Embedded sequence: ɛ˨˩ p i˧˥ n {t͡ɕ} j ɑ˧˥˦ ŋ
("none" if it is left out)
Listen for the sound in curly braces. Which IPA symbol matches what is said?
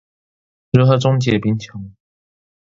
t͡ɕʰ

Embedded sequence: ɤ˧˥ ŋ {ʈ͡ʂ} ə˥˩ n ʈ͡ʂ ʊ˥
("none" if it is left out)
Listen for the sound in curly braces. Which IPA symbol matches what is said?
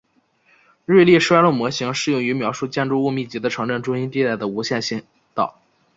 ʈ͡ʂ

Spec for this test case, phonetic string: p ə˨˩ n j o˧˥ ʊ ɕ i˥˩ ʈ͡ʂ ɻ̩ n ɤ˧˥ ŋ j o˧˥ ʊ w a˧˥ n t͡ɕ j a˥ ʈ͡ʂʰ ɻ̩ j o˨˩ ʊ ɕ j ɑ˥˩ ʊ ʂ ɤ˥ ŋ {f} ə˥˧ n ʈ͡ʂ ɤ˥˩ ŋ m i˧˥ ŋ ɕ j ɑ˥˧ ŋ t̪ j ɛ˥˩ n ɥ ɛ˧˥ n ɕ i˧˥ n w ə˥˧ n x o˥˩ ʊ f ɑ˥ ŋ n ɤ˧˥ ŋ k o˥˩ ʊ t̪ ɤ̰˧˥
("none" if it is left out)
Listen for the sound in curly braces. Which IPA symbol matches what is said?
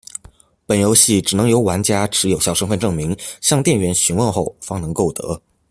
f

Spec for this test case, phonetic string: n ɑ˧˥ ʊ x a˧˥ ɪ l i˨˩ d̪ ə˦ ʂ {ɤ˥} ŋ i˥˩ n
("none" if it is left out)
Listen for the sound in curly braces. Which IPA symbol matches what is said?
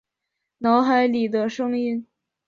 ɤ˥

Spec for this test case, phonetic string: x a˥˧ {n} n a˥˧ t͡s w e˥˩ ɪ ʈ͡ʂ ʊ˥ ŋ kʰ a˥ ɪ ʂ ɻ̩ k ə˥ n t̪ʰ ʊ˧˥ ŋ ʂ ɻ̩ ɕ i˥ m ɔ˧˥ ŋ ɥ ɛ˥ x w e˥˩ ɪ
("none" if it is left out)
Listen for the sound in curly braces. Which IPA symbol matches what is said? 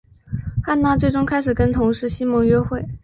n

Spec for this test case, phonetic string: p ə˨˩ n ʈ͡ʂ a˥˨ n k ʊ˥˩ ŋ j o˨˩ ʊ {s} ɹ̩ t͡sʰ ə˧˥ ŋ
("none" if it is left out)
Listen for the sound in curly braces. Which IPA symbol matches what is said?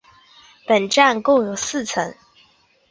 s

